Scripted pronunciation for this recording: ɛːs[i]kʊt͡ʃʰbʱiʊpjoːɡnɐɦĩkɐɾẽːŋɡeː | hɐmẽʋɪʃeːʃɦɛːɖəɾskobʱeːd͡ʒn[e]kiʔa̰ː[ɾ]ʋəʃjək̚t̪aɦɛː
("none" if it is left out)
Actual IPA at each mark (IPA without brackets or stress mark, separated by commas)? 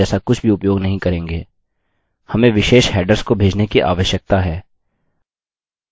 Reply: a, e, none